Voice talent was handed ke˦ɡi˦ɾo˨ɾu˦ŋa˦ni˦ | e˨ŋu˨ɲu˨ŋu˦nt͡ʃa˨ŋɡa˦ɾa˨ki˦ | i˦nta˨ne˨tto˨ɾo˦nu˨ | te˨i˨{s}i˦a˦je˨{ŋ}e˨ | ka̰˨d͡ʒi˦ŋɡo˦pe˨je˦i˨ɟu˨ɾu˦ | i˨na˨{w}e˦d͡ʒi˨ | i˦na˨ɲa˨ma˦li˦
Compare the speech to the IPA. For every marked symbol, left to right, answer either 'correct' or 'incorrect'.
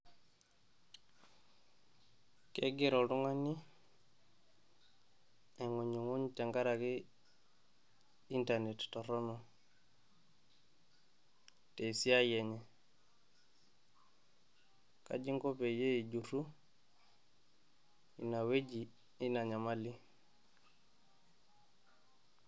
correct, incorrect, correct

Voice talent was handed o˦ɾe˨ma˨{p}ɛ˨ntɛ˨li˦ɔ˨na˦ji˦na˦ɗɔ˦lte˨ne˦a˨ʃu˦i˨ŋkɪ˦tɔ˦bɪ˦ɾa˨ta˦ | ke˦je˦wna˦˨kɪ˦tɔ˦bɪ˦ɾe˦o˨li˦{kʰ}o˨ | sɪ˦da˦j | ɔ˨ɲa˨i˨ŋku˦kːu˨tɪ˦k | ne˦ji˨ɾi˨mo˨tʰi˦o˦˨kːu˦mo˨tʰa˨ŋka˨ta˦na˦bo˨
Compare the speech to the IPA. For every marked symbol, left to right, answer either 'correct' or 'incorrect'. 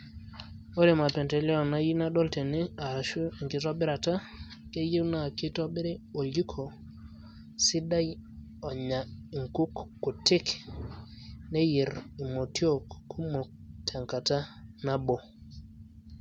correct, correct

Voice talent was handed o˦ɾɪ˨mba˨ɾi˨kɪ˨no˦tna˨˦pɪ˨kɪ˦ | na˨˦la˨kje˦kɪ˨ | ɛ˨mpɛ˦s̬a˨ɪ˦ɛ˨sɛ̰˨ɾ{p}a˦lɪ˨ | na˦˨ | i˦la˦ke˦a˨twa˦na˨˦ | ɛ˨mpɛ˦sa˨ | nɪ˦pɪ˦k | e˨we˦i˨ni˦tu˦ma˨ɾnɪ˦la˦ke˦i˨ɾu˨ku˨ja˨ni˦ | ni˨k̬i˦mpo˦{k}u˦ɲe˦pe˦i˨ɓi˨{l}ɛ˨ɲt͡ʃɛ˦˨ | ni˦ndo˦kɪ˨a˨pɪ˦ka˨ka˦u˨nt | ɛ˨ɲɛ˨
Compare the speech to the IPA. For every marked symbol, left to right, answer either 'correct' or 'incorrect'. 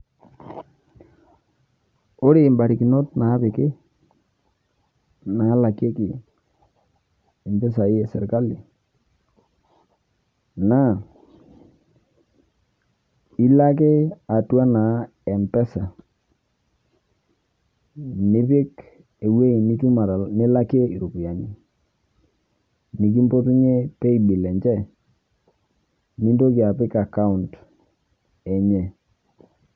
incorrect, incorrect, correct

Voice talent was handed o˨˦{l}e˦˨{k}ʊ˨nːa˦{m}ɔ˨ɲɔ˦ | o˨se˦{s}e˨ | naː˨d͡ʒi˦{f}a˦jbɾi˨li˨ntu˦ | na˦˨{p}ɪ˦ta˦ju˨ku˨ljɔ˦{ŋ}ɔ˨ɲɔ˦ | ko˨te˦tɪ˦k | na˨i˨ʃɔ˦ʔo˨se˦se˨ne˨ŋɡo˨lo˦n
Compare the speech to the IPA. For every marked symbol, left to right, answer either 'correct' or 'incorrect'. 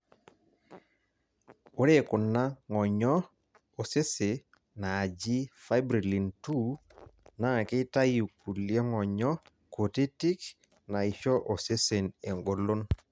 incorrect, correct, incorrect, correct, correct, incorrect, correct

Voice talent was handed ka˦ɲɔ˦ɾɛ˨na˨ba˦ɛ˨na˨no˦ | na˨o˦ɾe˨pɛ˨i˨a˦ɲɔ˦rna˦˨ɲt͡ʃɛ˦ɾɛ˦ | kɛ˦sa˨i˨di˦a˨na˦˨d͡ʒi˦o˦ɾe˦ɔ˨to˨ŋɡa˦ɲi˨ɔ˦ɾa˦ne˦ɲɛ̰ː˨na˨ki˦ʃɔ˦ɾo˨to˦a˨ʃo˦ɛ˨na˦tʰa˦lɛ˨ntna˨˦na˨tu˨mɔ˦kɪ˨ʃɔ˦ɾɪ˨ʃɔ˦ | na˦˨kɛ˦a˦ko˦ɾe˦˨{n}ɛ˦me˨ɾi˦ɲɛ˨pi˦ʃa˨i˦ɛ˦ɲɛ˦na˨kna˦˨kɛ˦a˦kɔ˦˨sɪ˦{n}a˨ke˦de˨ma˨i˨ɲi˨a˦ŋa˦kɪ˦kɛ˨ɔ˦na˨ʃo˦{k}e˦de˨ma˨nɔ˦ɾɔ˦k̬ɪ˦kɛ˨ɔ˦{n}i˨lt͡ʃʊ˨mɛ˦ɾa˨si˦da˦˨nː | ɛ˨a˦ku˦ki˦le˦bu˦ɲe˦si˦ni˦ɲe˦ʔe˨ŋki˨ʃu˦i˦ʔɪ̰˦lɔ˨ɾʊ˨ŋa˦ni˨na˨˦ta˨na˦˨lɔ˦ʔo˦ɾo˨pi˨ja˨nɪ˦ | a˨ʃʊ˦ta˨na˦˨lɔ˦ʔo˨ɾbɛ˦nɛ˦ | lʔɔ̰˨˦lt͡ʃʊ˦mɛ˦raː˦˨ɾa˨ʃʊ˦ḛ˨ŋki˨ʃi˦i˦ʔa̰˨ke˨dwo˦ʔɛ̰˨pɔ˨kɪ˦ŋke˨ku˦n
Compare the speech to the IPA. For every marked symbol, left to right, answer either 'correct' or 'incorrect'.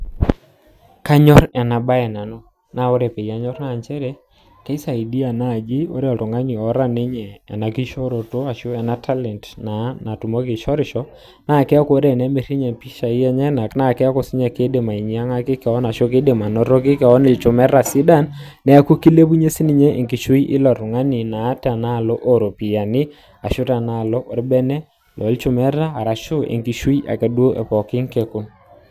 correct, incorrect, correct, correct

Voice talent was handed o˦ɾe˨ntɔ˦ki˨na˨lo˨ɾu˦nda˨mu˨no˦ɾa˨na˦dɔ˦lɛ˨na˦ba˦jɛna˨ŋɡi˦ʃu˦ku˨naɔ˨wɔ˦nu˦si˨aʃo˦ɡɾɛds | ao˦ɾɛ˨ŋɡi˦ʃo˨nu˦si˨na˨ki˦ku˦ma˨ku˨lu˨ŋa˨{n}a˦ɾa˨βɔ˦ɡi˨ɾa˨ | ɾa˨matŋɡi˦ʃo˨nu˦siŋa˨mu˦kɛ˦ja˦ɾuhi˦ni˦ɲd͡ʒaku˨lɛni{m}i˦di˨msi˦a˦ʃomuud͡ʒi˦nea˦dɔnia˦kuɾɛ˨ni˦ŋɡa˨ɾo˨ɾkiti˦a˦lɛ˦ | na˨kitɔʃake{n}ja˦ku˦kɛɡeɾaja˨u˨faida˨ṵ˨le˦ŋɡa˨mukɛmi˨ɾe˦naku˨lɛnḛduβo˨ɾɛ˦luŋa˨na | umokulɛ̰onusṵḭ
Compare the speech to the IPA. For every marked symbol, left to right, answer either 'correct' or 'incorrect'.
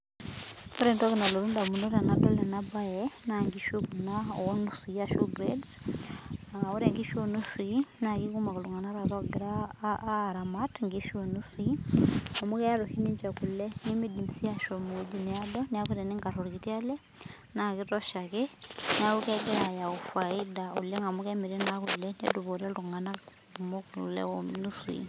correct, correct, correct

